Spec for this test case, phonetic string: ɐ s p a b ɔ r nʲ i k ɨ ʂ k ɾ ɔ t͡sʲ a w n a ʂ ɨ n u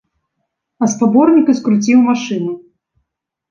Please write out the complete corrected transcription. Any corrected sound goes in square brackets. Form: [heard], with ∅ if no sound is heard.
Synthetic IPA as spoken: ɐ s p a b ɔ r nʲ i k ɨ [s] k ɾ [u] t͡sʲ [i] w [m] a ʂ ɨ n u